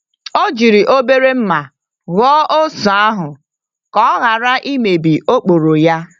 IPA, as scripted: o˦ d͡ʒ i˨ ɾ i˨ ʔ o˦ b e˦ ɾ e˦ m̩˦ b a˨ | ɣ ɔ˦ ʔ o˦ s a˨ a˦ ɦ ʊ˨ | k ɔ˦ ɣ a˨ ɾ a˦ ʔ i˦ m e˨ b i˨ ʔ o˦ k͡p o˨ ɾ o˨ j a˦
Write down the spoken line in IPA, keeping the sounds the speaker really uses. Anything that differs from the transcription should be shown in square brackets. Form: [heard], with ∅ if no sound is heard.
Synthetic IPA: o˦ d͡ʒ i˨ ɾ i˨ ʔ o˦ b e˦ ɾ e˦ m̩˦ [m] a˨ | ɣ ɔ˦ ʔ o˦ s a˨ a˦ ɦ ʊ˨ | k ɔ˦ ɣ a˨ ɾ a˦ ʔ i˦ m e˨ b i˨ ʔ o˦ k͡p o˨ ɾ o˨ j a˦

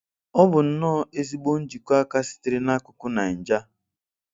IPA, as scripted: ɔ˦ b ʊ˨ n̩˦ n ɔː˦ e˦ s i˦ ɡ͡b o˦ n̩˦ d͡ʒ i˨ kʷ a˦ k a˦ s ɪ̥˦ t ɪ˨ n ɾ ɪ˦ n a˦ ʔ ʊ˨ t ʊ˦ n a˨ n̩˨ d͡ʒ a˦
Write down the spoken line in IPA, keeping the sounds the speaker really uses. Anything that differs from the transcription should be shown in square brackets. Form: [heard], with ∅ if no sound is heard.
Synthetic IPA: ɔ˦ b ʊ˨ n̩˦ n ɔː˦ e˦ [z] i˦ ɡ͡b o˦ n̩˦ d͡ʒ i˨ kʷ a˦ k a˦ s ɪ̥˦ t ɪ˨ [∅] ɾ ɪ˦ n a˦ [k] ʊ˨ [k] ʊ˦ n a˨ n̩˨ d͡ʒ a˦

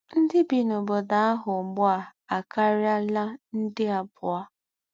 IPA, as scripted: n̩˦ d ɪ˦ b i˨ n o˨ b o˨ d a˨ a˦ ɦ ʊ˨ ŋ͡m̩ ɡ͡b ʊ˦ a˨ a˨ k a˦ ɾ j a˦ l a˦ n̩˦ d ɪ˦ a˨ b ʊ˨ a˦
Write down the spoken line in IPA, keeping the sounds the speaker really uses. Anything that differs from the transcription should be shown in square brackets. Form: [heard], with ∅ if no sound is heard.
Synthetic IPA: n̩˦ d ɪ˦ b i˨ n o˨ b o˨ d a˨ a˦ ɦ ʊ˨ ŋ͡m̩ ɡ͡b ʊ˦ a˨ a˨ k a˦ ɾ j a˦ l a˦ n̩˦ d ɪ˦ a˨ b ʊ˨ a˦

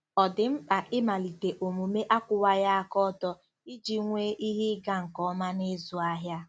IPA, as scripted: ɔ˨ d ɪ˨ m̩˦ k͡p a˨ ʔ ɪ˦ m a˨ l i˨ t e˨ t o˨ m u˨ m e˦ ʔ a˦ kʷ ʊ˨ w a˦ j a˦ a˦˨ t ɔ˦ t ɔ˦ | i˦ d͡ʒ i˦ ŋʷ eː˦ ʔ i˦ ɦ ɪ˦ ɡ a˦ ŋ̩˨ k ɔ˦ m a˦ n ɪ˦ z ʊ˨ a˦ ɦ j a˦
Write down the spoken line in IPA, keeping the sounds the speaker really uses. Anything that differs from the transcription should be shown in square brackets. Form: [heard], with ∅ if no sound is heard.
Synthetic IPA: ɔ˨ d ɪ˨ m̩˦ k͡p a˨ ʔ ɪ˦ m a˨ l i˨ t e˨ [ʔ] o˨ m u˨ m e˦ ʔ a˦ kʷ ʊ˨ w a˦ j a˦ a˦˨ [k] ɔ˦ t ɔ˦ | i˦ d͡ʒ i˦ ŋʷ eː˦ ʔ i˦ ɦ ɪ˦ ɡ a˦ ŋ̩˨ k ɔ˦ m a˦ n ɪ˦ z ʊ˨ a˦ ɦ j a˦

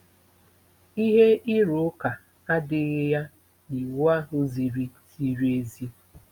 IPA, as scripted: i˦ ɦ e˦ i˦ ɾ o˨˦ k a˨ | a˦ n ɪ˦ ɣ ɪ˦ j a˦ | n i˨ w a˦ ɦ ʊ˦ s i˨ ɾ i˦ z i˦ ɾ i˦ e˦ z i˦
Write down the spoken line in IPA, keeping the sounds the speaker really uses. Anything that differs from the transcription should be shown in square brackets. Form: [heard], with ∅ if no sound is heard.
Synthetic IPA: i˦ ɦ e˦ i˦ ɾ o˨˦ k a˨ | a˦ [d] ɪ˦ ɣ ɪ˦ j a˦ | n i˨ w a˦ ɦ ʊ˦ [z] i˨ ɾ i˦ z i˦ ɾ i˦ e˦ z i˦

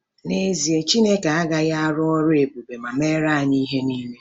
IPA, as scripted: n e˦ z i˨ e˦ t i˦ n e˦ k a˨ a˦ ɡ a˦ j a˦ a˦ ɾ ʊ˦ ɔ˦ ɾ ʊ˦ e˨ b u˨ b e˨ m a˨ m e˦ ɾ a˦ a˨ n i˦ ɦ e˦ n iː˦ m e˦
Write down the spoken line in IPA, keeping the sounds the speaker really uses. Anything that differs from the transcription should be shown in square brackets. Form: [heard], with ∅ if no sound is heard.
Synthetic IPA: n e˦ z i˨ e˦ [t͡ʃ] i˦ n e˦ k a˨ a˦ ɡ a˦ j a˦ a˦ ɾ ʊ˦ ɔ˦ ɾ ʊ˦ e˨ b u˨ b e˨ m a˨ m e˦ ɾ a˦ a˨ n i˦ ɦ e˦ n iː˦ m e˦

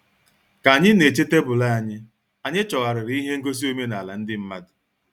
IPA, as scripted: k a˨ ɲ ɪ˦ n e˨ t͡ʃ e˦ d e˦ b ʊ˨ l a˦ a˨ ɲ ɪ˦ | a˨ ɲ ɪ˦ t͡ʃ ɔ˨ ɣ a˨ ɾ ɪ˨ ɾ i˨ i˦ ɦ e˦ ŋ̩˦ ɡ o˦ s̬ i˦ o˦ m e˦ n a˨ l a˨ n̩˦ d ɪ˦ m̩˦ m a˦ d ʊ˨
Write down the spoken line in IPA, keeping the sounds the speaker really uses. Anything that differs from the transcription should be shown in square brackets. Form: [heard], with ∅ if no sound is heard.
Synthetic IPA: k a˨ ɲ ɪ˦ n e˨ t͡ʃ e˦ [t] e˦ b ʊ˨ l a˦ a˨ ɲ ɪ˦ | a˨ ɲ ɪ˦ t͡ʃ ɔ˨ ɣ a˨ ɾ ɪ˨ ɾ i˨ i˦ ɦ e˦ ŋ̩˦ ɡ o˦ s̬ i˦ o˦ m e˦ n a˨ l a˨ n̩˦ d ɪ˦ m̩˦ m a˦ d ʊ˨

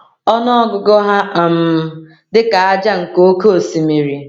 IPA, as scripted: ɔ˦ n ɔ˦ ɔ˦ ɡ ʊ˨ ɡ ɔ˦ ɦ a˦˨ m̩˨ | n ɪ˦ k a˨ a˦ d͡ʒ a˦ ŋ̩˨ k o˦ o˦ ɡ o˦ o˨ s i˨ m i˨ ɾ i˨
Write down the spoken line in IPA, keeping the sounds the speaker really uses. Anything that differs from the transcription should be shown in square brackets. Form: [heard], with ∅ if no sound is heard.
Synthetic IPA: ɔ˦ n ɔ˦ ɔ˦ ɡ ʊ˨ ɡ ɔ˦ ɦ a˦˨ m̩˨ | [d] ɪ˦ k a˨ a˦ d͡ʒ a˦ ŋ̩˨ k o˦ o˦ [k] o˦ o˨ s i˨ m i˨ ɾ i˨

